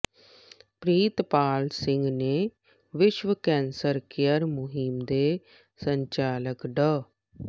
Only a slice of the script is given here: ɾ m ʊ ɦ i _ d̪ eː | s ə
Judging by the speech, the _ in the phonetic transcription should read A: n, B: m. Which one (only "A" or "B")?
B